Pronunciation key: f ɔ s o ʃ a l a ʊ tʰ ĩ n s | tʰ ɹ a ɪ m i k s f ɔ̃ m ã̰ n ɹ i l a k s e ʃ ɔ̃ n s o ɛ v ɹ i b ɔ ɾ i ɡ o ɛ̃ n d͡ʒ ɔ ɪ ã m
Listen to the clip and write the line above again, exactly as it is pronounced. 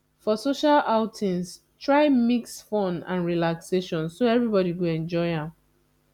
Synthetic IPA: f ɔ s o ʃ a l a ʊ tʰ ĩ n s | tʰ ɹ a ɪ m i k s f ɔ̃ n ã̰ n ɹ i l a k s e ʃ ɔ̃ n s o ɛ v ɹ i b ɔ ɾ i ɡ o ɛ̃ n d͡ʒ ɔ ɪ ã m